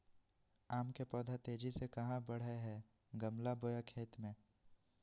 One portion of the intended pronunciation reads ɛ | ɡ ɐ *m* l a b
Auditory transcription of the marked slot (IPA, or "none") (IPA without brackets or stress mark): m